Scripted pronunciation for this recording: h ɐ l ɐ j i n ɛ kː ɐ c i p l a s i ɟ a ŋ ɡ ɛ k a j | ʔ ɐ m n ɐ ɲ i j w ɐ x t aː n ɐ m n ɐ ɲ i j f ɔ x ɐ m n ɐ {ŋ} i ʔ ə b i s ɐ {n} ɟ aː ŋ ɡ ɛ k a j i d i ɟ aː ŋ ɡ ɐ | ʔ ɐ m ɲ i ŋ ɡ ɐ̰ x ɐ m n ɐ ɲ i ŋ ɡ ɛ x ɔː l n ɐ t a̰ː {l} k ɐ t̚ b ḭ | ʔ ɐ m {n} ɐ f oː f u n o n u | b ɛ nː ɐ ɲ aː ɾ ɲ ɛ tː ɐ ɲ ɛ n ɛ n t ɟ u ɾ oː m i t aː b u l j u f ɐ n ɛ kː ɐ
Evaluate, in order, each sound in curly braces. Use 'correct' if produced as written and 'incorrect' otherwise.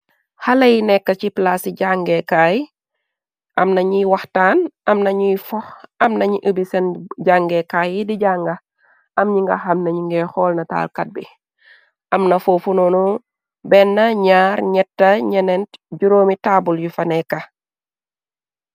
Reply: incorrect: ɲ, correct, correct, correct

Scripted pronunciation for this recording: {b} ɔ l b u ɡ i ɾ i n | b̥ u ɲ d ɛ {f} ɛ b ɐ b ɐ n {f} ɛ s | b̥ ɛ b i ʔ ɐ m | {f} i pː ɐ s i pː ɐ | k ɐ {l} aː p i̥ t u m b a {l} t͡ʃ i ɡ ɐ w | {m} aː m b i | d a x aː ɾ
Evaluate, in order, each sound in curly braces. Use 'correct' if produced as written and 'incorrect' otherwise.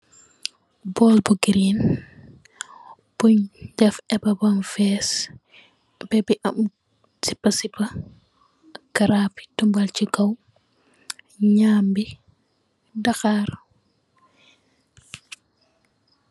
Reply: correct, correct, correct, incorrect: s, incorrect: ɾ, correct, incorrect: ɲ

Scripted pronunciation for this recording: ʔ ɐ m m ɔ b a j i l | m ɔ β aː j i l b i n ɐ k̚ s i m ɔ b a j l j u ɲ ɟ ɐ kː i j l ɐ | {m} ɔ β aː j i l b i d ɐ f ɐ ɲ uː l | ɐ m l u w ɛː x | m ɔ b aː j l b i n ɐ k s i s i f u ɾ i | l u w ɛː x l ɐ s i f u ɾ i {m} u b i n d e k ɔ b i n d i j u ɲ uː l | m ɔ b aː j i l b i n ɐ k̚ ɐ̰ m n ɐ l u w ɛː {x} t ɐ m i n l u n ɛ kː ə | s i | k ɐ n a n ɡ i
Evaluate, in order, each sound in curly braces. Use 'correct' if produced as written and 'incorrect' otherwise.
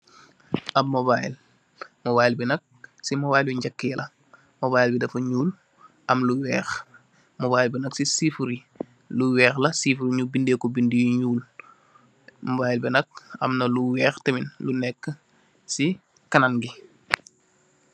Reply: correct, incorrect: ɲ, correct

